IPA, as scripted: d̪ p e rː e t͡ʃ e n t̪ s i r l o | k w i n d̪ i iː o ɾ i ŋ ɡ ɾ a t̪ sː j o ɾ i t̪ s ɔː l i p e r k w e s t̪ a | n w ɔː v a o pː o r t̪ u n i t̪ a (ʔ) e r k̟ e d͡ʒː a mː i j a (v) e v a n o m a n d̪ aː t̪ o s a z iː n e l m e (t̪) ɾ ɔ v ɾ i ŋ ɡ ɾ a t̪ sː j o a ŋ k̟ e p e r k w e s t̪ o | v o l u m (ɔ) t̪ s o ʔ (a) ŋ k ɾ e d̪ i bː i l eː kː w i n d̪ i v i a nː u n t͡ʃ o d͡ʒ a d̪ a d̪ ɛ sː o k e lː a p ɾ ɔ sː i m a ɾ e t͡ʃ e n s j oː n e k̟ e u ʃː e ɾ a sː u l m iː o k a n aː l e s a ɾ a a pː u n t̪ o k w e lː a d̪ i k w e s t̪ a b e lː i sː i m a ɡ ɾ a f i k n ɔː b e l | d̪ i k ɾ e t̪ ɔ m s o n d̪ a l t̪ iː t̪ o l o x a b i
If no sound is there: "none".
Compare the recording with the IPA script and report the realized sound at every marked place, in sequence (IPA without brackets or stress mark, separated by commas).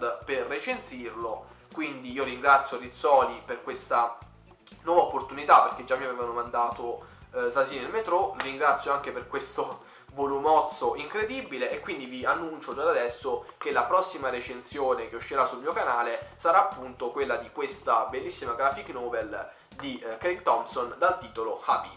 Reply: p, v, t̪, ɔ, i